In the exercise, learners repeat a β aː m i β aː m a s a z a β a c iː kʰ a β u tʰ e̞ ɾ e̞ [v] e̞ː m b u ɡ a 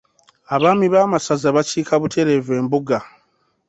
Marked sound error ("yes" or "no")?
no